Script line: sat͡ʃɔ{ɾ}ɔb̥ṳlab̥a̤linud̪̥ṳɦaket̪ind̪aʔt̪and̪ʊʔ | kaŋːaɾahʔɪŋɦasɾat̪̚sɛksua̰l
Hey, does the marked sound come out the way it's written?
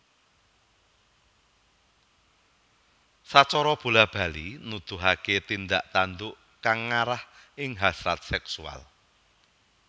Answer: yes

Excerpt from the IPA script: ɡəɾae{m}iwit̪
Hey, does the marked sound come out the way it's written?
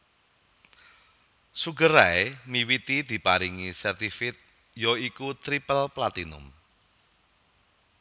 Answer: yes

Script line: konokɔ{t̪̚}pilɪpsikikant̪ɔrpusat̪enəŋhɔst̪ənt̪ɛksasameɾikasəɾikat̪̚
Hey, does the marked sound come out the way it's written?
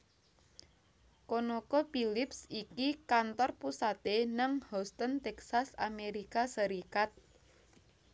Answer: no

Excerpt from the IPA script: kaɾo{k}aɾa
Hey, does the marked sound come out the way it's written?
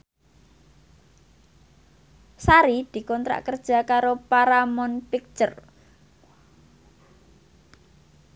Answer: no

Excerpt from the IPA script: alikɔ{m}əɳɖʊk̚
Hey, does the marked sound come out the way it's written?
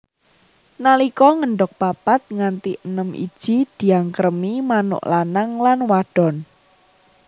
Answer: no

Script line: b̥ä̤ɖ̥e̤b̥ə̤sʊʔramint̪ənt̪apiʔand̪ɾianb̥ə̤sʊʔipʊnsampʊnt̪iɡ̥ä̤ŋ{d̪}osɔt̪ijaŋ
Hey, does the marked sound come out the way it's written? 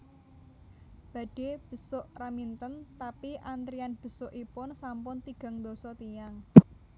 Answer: yes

